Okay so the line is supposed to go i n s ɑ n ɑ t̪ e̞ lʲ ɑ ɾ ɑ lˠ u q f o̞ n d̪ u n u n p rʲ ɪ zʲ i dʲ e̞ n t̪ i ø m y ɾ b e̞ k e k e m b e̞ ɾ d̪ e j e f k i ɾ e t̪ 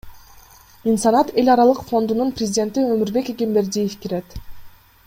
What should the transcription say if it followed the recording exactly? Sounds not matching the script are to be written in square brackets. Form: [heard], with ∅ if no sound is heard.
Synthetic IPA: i n s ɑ n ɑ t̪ e̞ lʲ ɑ ɾ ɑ lˠ [ɯ] q f o̞ n d̪ u n u n p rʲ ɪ zʲ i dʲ e̞ n t̪ i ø m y ɾ b e̞ k e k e m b e̞ ɾ d̪ [i] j e f k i ɾ e t̪